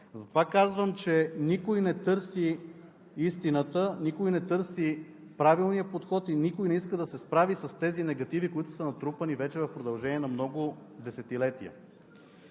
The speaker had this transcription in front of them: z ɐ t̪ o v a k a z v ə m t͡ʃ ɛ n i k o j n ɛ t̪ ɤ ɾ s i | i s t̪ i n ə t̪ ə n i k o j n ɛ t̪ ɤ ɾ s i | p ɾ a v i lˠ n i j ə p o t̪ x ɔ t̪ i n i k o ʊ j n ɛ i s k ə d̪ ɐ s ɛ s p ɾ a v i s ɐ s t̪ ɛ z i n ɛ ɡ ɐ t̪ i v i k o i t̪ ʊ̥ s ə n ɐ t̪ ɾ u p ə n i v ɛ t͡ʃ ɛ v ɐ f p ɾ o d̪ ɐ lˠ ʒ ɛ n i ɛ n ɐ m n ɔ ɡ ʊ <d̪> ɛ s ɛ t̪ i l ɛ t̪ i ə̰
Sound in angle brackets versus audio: correct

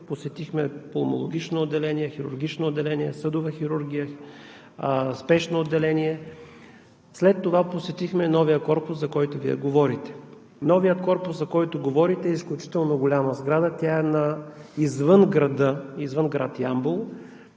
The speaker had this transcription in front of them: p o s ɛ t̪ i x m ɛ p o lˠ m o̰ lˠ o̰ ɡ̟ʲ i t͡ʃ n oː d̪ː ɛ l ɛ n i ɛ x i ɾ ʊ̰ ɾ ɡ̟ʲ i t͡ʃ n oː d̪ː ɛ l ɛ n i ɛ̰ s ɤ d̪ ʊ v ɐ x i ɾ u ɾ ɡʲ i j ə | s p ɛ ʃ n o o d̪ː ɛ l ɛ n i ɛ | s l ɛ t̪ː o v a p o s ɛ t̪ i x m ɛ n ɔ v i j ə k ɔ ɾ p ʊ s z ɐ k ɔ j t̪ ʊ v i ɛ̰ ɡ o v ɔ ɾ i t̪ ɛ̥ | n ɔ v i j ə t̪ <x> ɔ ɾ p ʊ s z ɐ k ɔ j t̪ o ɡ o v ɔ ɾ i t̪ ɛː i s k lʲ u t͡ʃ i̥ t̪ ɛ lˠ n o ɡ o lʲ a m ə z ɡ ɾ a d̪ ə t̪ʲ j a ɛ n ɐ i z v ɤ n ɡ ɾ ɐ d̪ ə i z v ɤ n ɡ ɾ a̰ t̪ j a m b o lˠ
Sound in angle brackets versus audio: incorrect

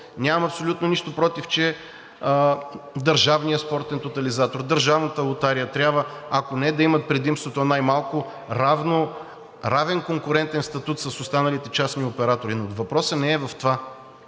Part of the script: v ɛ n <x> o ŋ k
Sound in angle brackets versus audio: incorrect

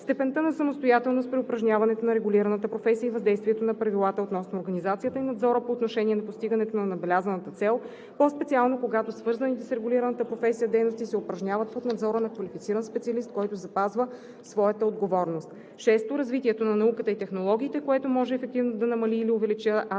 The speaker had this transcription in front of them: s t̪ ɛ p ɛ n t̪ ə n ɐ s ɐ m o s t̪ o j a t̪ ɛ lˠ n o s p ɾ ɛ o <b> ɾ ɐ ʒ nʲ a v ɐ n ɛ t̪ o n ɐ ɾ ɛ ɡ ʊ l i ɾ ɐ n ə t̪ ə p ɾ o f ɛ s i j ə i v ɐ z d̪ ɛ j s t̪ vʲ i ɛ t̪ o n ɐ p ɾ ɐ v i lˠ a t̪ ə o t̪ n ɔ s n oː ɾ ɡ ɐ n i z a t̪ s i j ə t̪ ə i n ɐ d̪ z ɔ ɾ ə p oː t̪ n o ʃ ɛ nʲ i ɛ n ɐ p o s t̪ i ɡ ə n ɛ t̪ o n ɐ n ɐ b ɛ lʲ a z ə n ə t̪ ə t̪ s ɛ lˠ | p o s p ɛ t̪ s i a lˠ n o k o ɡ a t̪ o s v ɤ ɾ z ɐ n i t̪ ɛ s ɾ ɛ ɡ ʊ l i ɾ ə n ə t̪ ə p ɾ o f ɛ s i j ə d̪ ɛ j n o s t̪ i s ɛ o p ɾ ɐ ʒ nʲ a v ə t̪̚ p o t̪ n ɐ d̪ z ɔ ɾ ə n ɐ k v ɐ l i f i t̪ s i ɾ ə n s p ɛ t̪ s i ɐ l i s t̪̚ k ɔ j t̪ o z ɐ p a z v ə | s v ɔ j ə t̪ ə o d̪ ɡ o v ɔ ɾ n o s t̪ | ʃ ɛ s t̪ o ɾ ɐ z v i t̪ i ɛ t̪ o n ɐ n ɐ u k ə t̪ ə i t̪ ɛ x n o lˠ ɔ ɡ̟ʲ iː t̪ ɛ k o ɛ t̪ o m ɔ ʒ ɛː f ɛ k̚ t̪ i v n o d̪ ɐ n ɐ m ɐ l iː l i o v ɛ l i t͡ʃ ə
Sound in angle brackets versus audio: incorrect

